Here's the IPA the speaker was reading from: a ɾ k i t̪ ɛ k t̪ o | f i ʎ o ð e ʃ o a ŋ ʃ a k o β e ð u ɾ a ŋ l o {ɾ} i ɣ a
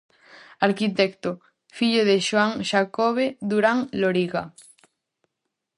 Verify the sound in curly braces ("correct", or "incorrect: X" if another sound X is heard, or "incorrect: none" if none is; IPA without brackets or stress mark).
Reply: correct